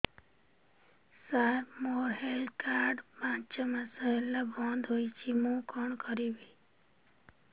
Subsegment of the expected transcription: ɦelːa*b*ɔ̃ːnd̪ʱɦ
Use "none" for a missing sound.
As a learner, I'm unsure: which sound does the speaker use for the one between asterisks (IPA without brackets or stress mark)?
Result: b